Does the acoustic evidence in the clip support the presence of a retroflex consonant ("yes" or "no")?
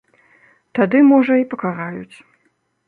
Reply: yes